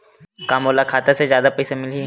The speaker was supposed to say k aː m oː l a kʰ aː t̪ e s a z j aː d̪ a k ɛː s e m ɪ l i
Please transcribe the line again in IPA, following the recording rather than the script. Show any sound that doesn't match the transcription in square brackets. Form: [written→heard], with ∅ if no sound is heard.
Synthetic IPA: k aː m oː l a kʰ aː t̪ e s [a→e] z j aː d̪ a [k→p] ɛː s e m ɪ l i